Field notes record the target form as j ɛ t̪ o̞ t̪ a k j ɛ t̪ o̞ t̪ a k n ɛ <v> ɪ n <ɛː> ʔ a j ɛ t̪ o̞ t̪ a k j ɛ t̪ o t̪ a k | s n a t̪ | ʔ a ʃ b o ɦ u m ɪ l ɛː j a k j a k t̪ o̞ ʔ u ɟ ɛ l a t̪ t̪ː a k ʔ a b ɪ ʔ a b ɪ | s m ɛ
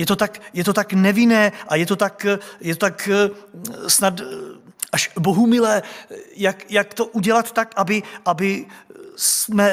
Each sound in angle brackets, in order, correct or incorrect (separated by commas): correct, correct